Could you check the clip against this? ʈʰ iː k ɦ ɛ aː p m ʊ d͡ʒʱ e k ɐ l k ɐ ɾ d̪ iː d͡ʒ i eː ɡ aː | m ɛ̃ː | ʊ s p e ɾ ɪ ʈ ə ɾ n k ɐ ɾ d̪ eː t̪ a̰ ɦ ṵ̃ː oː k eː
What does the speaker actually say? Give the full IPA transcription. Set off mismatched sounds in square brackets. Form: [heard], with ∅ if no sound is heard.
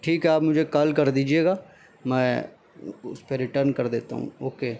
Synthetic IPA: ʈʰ iː k ɦ ɛ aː p m ʊ d͡ʒʱ e k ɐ l k ɐ ɾ d̪ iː d͡ʒ i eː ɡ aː | m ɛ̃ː | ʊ s p e ɾ ɪ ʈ ə ɾ n k ɐ ɾ d̪ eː t̪ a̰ ɦ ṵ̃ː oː k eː